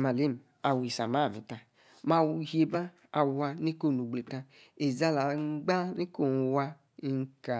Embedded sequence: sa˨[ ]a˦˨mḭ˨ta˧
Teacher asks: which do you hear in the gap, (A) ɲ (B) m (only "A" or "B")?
B